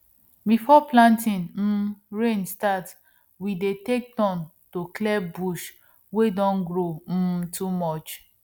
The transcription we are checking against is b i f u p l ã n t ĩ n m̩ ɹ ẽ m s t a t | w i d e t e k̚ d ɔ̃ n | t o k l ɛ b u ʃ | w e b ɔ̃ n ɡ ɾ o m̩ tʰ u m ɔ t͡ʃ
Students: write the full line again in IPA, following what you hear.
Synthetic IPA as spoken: b i f ɔ p l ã n t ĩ n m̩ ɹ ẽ n s t a t | w i d e t e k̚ d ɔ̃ n | t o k l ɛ b u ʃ | w e d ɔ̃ n ɡ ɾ o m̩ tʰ u m ɔ t͡ʃ